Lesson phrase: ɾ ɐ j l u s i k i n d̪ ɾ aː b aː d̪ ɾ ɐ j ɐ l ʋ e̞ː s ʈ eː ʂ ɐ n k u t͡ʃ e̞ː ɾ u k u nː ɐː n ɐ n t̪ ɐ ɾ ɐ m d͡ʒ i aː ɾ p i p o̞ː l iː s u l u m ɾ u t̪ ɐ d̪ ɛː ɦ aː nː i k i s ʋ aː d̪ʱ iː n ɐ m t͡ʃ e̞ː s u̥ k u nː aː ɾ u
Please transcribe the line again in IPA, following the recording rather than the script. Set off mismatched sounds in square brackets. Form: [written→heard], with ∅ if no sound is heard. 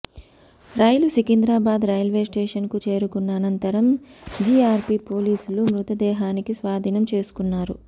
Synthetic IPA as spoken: ɾ ɐ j l u s i k i n d̪ ɾ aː b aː d̪ ɾ ɐ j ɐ l ʋ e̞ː s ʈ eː ʂ ɐ n k u t͡ʃ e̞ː ɾ u k u nː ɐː n ɐ n t̪ ɐ ɾ ɐ m d͡ʒ i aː ɾ p i p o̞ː l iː s u l u m ɾ u t̪ ɐ d̪ ɛː ɦ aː [nː→n] i k i s ʋ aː d̪ʱ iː n ɐ m t͡ʃ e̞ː s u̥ k u nː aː ɾ u